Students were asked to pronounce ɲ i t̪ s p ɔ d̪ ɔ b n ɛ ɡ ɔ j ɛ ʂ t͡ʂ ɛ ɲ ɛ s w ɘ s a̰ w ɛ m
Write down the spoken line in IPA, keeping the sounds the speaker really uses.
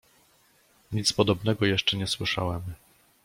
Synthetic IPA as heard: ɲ i t̪ s p ɔ d̪ ɔ b n ɛ ɡ ɔ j ɛ ʂ t͡ʂ ɛ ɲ ɛ s w ɘ ʂ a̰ w ɛ m